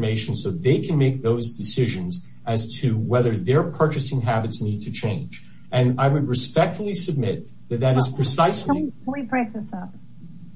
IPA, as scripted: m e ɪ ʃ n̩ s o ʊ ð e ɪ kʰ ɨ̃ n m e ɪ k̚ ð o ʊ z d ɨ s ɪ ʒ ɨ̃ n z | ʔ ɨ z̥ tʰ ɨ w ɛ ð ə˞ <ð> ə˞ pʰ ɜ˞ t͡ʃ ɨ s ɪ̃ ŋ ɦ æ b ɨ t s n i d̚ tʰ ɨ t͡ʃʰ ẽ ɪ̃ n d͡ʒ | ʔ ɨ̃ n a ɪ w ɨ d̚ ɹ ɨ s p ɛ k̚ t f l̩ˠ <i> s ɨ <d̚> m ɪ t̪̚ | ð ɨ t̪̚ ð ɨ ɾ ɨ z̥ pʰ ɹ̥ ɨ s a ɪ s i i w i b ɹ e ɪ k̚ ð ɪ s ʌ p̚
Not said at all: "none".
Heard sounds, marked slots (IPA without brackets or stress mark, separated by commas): ð, i, b̚